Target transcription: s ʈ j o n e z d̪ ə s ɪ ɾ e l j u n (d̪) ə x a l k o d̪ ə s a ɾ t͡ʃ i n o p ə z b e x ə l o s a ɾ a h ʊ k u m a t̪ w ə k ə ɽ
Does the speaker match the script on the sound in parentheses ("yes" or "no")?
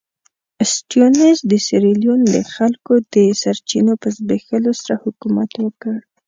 yes